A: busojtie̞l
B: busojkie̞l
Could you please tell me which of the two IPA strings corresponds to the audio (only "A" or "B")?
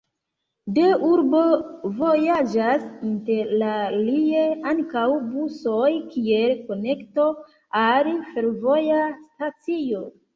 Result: B